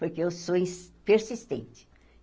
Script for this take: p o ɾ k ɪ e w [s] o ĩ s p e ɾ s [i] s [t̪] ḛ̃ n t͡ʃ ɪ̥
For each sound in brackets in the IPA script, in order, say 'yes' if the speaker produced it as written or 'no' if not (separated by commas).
yes, yes, yes